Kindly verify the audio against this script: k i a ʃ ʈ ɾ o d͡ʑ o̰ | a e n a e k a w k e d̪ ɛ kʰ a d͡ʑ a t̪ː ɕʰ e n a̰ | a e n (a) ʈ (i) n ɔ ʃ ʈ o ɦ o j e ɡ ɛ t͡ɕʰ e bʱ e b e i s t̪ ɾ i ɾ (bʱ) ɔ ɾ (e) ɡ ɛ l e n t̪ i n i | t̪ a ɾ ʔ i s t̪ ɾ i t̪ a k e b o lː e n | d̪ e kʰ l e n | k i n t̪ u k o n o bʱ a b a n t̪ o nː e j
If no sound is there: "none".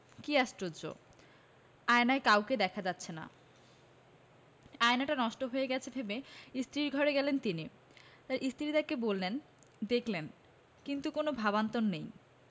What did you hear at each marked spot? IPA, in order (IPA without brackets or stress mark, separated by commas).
a, a, ɡʱ, e